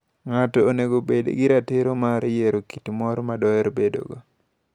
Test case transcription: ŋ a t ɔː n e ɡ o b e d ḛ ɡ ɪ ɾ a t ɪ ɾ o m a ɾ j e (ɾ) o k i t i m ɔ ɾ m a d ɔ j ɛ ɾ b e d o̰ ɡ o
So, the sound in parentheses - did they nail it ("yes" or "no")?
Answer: yes